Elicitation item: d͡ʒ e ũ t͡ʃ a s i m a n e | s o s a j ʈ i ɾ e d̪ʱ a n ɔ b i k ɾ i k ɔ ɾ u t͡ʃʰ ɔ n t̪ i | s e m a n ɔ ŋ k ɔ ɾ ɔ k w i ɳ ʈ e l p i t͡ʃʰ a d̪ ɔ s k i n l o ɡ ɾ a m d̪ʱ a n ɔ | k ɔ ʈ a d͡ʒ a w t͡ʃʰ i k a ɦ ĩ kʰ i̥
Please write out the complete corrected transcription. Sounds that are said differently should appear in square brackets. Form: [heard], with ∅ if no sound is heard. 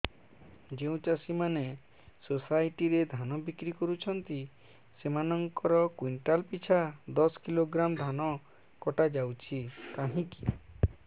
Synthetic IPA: d͡ʒ e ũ t͡ʃ a s i m a n e | s o s a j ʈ i ɾ e d̪ʱ a n ɔ b i k ɾ i k ɔ ɾ u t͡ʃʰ ɔ n t̪ i | s e m a n ɔ ŋ k ɔ ɾ ɔ k w i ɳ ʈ [a] l p i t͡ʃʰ a d̪ ɔ s k i [∅] l o ɡ ɾ a m d̪ʱ a n ɔ | k ɔ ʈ a d͡ʒ a w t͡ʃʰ i k a ɦ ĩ [k] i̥